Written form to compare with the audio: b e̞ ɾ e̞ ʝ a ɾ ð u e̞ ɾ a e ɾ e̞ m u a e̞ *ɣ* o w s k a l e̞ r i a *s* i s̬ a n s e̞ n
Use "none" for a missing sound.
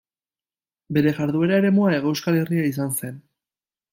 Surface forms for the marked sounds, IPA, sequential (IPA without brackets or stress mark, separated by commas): ɣ, none